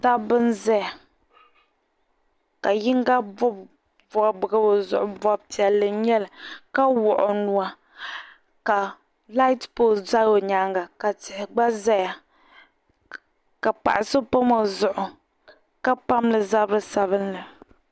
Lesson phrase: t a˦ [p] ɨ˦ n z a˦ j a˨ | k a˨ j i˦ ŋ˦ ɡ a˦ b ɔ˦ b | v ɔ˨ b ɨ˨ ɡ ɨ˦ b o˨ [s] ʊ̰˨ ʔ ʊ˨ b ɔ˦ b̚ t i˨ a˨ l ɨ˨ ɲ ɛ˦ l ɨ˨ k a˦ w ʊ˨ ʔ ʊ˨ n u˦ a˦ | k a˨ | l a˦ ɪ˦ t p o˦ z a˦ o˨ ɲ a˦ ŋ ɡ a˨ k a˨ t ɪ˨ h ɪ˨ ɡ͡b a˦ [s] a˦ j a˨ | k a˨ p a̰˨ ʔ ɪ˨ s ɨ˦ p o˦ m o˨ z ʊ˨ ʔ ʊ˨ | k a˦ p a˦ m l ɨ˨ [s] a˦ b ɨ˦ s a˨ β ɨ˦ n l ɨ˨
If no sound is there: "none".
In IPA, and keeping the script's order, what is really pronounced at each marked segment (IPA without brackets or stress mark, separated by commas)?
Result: b, z, z, z